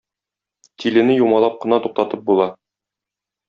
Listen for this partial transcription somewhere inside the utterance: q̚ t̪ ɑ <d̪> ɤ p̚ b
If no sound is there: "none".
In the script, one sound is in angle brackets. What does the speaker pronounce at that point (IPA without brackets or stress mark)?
t̪